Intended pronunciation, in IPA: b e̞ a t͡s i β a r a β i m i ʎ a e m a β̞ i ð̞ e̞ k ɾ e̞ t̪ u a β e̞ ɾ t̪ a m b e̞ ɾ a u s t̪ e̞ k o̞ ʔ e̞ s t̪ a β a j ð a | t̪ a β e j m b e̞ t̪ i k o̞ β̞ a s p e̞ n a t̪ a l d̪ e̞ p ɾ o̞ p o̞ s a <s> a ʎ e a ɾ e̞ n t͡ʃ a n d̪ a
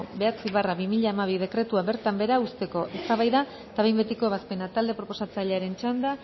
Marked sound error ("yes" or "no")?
yes